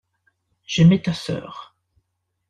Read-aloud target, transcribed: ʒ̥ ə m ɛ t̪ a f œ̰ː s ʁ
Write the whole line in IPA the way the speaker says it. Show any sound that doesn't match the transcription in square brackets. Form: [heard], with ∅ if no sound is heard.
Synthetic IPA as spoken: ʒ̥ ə m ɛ t̪ a [s] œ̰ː [∅] ʁ